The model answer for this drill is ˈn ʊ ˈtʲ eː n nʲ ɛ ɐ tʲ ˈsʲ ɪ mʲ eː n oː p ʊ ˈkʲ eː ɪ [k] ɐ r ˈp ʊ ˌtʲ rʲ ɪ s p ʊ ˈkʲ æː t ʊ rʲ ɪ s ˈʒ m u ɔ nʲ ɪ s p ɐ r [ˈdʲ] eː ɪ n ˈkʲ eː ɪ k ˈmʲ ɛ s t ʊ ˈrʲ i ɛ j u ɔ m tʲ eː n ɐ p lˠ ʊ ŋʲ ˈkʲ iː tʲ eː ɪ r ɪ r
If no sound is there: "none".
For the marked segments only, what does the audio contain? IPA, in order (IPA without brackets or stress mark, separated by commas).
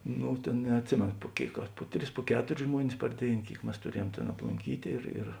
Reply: k, dʲ